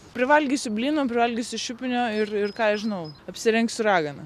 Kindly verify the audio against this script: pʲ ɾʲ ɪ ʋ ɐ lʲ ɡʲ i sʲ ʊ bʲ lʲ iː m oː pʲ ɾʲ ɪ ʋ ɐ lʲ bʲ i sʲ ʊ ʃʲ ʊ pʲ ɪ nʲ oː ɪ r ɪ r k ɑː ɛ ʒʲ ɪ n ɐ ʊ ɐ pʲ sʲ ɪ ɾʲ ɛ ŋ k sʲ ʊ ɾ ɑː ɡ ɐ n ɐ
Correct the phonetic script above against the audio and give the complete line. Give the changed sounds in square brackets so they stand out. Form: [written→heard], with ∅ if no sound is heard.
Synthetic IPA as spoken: pʲ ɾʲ ɪ ʋ ɐ lʲ ɡʲ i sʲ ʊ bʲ lʲ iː [m→n] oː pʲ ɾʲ ɪ ʋ ɐ lʲ [bʲ→ɡʲ] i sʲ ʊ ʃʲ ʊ pʲ ɪ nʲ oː ɪ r ɪ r k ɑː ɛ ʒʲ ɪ n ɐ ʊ ɐ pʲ sʲ ɪ ɾʲ ɛ ŋ k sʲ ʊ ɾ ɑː ɡ ɐ n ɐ